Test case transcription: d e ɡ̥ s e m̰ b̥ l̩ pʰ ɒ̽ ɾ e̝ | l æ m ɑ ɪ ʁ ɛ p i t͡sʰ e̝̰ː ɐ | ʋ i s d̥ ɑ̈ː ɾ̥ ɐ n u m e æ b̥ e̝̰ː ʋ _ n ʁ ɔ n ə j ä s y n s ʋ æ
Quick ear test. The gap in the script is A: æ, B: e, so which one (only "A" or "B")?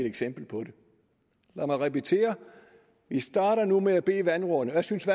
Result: A